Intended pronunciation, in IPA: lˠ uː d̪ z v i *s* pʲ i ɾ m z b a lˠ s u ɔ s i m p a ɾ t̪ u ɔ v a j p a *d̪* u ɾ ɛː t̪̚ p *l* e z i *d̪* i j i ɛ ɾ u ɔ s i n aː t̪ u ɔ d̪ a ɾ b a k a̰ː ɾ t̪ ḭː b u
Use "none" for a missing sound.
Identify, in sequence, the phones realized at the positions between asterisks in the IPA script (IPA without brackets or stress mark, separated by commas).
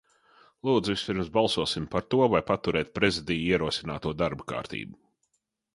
s, t̪, ɾ, d̪